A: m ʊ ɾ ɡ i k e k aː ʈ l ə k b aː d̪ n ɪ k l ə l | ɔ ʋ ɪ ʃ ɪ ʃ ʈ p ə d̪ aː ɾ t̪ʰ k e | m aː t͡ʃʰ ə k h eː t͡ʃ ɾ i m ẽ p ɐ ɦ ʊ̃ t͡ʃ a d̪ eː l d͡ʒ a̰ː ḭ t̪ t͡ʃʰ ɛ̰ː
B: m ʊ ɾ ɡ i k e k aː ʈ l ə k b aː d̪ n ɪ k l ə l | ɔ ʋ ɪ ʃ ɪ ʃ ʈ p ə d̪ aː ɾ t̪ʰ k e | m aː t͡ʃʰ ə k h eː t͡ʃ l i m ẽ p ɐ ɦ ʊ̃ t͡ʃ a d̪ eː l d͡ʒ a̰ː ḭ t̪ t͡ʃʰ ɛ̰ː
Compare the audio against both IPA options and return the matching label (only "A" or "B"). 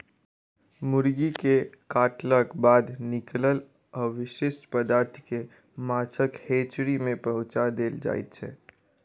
A